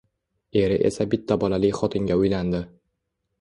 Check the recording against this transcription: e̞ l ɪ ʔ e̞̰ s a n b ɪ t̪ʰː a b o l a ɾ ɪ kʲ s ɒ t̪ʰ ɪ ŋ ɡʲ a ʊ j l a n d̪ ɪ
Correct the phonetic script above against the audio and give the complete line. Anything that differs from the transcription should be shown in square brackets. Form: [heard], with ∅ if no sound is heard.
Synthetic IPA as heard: e̞ [ɾ] ɪ ʔ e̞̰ s a [∅] b ɪ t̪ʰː a b [ɒ] l a [l] ɪ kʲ [χ] ɒ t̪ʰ ɪ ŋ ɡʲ a ʊ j l a n d̪ ɪ